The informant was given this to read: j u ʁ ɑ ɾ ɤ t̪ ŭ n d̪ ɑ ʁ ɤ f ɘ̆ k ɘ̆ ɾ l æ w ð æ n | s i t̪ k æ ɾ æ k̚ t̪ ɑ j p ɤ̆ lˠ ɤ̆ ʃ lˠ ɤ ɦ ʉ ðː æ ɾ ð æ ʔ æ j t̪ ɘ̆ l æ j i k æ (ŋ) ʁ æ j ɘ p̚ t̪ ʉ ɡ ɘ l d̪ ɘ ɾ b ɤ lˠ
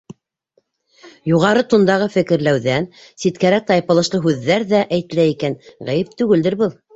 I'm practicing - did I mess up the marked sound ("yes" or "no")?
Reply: yes